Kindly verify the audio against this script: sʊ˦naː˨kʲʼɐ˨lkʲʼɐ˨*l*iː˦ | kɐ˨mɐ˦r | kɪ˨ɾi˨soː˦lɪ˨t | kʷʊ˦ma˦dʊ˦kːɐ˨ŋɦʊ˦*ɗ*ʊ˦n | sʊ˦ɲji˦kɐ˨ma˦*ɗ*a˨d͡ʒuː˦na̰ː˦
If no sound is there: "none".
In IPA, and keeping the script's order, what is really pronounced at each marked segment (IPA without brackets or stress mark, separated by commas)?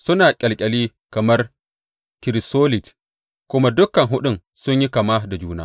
l, ɗ, d